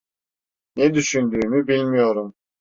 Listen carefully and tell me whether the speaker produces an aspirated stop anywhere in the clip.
no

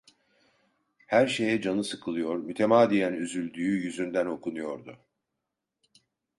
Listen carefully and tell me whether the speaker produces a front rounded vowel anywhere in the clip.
yes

